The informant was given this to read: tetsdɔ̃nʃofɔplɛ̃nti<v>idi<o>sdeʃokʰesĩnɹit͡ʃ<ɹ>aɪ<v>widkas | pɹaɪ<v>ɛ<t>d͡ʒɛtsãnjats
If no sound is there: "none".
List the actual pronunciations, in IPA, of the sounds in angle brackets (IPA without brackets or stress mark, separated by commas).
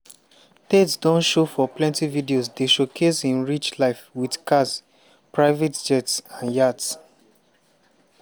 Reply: v, o, l, f, v, t